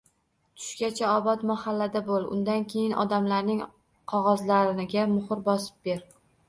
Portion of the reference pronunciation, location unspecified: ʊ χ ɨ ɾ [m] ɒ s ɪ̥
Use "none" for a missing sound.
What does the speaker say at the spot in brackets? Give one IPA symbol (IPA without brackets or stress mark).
b